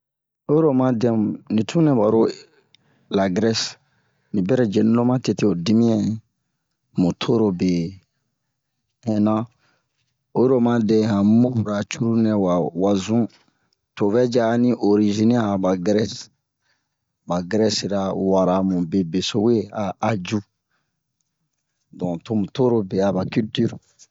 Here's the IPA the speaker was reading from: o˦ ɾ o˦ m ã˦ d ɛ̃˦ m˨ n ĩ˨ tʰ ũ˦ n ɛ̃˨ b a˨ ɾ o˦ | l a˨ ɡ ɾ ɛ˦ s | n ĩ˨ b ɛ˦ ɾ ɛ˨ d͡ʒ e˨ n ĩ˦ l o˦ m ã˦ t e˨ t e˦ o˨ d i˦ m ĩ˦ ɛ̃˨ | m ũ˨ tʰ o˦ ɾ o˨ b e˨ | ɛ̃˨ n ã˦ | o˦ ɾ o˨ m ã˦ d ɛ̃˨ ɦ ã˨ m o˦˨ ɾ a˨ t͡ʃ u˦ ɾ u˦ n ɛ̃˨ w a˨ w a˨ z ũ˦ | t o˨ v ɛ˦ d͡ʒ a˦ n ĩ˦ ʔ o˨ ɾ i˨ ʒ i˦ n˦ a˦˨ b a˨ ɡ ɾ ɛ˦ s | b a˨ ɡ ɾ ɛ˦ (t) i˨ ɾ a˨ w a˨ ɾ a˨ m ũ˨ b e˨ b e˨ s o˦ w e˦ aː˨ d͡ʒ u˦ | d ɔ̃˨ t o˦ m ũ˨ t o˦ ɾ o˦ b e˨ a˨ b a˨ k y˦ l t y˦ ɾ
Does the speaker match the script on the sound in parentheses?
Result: no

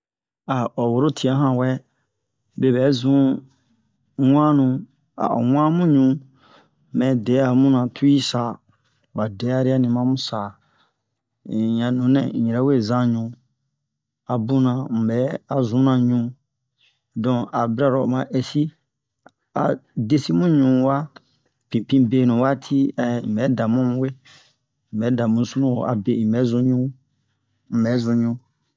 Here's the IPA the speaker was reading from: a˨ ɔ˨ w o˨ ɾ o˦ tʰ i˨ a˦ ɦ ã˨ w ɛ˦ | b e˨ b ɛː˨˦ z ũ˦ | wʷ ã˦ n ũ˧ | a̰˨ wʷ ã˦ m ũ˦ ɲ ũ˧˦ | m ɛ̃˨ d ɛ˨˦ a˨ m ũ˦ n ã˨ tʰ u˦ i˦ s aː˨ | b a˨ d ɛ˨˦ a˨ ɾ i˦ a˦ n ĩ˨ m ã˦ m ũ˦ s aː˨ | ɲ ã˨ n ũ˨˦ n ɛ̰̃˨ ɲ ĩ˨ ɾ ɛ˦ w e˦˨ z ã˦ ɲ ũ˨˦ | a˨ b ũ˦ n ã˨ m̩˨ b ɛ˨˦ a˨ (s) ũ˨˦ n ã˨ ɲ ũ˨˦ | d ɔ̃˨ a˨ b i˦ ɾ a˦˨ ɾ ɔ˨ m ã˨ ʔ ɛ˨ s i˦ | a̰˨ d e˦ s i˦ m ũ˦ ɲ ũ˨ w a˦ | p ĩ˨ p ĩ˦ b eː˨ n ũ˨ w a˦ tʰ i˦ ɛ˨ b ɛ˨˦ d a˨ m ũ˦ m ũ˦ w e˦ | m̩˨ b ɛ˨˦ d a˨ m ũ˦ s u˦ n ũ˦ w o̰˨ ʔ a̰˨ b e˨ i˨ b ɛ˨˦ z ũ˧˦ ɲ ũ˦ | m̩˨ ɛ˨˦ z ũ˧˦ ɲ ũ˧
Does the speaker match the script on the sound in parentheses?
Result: no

